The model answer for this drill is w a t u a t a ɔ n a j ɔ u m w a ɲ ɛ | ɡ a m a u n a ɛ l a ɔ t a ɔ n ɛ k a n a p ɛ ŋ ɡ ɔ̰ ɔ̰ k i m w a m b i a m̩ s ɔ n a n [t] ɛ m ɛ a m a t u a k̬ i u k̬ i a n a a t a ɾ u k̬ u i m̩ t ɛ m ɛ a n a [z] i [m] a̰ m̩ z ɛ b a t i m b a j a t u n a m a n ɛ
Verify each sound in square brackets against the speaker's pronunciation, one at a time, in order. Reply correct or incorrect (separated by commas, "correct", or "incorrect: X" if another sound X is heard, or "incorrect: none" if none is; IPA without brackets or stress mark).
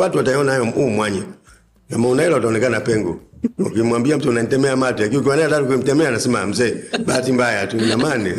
correct, incorrect: s, correct